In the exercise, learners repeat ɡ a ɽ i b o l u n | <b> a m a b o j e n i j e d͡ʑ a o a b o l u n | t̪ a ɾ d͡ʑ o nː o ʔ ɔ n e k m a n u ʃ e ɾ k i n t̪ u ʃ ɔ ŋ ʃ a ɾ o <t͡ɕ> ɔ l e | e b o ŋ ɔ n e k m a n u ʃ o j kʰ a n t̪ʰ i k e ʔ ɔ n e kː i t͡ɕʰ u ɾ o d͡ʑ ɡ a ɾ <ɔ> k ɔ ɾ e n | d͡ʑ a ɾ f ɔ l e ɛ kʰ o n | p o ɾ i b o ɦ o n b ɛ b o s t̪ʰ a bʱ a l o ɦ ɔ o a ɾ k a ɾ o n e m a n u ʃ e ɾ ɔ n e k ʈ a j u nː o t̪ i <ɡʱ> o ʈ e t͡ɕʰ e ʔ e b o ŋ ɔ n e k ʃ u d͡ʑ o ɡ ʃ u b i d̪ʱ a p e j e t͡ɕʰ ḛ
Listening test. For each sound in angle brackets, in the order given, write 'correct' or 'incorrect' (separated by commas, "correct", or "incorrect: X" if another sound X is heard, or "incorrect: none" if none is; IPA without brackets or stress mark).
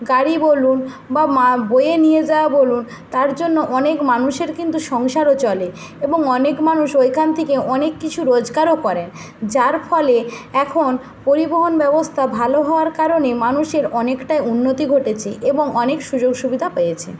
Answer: correct, correct, incorrect: o, correct